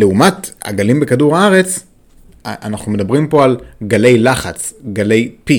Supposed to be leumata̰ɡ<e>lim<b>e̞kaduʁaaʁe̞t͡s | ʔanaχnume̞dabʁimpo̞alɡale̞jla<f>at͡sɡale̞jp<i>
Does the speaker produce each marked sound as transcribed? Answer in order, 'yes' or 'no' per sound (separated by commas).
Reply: no, yes, no, yes